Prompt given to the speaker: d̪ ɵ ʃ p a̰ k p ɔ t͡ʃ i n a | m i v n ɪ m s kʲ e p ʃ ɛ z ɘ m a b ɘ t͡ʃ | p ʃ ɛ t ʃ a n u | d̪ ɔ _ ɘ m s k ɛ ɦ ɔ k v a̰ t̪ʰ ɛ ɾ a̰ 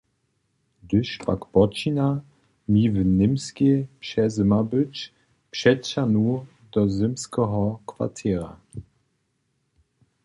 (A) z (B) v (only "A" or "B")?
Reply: A